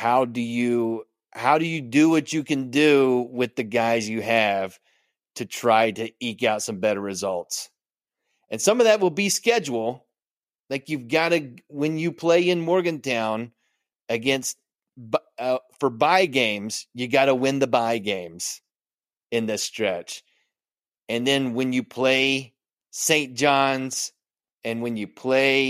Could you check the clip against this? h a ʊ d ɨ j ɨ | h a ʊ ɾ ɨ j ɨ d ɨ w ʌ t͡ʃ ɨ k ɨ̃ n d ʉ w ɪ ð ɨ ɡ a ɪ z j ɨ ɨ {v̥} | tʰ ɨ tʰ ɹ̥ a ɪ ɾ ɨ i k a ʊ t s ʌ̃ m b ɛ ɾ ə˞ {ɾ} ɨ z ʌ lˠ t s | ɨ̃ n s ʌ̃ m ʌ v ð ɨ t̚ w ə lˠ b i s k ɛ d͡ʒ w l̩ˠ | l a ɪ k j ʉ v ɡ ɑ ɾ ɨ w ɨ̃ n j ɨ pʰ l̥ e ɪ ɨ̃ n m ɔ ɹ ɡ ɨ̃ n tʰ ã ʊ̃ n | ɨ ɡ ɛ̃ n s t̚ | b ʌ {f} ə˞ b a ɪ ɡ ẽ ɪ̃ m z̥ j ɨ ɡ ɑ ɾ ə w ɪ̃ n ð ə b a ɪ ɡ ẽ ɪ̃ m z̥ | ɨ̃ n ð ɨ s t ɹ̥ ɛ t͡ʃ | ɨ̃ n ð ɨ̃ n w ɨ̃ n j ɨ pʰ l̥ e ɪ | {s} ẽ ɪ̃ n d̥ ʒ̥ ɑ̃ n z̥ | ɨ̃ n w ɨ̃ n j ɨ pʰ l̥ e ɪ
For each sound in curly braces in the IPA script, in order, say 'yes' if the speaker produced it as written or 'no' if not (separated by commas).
yes, no, yes, yes